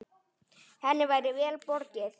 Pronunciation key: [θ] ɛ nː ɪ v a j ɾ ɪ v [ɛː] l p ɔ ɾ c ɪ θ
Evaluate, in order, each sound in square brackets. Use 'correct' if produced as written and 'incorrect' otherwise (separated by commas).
incorrect, correct